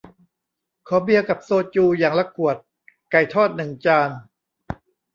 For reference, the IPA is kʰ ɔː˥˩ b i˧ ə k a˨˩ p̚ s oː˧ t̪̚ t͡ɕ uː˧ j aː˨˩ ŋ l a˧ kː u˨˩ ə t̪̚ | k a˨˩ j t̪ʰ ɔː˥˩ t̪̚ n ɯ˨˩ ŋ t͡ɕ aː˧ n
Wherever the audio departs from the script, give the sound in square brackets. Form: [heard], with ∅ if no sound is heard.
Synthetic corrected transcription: kʰ [ɔː˨˩˦] b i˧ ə k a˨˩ p̚ s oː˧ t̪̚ t͡ɕ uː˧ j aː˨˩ ŋ l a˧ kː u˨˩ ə t̪̚ | k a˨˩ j t̪ʰ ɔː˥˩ t̪̚ n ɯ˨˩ ŋ t͡ɕ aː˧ n